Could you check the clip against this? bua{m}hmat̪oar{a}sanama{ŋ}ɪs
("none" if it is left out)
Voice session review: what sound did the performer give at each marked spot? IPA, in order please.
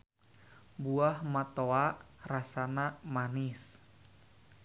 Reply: none, a, n

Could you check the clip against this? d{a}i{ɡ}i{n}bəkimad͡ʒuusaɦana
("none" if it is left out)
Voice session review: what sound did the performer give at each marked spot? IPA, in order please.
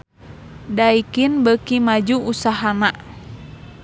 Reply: a, k, n

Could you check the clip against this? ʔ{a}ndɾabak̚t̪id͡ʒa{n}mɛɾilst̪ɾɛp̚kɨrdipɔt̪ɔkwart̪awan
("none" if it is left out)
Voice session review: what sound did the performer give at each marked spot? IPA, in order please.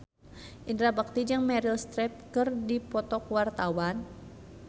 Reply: i, ŋ

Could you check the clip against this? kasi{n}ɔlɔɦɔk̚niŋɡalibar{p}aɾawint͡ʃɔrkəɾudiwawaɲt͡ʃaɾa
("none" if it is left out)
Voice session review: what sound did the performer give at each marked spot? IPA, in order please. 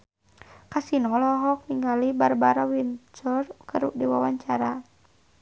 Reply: n, b

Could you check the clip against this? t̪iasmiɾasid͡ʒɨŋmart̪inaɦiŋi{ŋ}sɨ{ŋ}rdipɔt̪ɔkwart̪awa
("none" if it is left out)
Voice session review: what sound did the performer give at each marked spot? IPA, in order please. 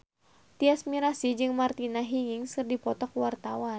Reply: ŋ, none

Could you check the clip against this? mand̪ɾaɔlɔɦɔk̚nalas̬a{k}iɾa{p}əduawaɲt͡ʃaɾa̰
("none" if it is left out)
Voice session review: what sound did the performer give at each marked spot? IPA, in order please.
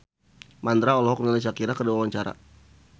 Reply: k, k

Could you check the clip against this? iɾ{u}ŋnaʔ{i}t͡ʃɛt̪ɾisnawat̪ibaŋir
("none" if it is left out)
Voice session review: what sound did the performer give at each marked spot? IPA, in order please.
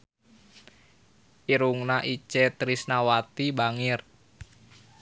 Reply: u, i

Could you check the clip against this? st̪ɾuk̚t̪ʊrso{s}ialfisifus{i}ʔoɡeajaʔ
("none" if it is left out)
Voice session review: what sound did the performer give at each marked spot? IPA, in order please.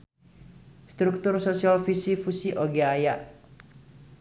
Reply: s, i

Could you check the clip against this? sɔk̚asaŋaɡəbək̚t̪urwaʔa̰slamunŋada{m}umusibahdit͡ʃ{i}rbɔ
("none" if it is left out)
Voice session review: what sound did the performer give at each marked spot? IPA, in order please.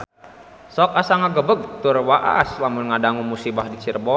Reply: ŋ, i

